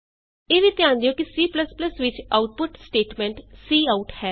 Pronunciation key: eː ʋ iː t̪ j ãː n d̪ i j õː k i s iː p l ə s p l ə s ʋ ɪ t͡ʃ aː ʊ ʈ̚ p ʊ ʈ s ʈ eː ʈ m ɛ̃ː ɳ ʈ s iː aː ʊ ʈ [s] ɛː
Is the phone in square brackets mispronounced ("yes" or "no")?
yes